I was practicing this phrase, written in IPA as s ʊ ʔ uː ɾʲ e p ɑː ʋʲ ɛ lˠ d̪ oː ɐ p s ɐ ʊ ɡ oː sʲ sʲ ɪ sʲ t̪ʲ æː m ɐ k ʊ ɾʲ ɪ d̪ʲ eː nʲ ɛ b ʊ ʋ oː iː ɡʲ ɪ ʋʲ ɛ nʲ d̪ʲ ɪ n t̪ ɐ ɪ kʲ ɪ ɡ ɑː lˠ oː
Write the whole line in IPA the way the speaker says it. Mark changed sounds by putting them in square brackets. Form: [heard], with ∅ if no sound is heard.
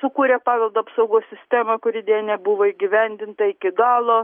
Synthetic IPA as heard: s ʊ [k] uː ɾʲ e p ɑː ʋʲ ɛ lˠ d̪ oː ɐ p s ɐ ʊ ɡ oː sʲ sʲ ɪ sʲ t̪ʲ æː m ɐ k ʊ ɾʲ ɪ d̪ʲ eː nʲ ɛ b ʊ ʋ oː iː ɡʲ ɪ ʋʲ ɛ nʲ d̪ʲ ɪ n t̪ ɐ ɪ kʲ ɪ ɡ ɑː lˠ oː